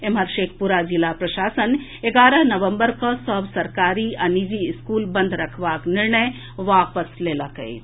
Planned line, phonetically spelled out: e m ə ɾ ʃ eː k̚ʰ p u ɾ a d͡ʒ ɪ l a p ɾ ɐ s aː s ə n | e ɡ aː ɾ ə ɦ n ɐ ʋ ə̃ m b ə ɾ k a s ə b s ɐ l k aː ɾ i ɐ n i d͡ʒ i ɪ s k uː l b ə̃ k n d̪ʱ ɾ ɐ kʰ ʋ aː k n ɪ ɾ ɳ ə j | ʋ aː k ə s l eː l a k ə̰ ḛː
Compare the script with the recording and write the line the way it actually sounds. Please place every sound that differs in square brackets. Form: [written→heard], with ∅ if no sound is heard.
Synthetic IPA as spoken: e m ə ɾ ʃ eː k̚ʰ p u ɾ a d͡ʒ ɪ l a p ɾ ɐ [s→ʃ] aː s ə n | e ɡ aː ɾ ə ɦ n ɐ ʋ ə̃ m b ə ɾ k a s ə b s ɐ [l→ɾ] k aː ɾ i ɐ n i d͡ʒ i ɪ s k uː l b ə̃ [k→∅] n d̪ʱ ɾ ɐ kʰ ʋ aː k n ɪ ɾ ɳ ə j | ʋ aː [k→p] ə s l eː l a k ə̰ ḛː